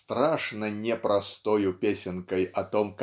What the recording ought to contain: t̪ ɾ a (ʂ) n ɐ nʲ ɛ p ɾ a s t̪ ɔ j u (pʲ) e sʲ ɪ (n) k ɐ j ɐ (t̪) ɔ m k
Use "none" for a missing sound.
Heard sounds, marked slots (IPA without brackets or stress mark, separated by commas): ʂ, pʲ, n, t̪